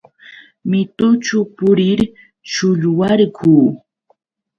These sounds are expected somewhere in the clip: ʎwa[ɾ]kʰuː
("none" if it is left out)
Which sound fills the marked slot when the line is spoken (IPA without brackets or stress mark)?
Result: ɾ